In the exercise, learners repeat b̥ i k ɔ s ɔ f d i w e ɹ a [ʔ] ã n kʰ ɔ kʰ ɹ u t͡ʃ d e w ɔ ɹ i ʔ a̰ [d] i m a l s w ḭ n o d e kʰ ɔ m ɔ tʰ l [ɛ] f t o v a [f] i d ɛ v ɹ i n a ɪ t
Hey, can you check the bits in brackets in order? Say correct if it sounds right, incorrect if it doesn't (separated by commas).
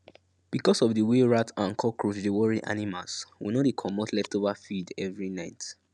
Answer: incorrect, incorrect, correct, correct